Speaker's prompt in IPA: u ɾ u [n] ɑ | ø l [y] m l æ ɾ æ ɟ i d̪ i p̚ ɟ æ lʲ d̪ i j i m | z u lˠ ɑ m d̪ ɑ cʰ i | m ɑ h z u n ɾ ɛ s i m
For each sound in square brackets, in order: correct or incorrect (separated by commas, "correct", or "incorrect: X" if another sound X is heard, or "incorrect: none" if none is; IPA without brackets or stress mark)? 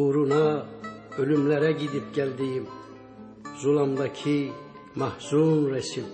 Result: correct, correct